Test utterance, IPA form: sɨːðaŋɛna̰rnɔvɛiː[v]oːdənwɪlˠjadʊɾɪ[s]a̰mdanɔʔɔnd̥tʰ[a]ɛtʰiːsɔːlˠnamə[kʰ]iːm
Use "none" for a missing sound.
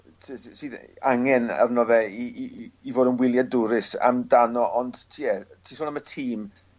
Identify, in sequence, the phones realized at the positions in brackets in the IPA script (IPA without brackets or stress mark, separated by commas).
v, s, i, tʰ